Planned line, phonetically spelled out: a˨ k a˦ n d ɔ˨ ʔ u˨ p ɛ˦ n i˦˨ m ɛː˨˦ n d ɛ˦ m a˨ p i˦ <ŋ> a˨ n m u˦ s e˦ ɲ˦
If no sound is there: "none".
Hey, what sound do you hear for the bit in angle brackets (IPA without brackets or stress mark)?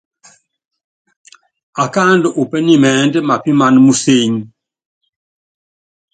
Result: m